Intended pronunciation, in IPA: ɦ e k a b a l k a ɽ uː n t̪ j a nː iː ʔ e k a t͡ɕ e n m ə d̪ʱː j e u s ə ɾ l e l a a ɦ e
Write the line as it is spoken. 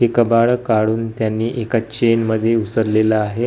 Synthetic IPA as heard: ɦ e k ə b a ɭ k a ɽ uː n t̪ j a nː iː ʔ e k a t͡ɕ e n m ə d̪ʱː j e u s ə ɾ l e l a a ɦ e